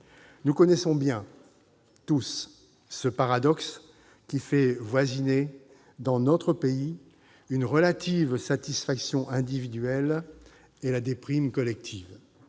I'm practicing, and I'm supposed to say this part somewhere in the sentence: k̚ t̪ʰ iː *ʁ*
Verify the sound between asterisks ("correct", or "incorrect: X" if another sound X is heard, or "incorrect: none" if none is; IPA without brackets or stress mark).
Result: incorrect: v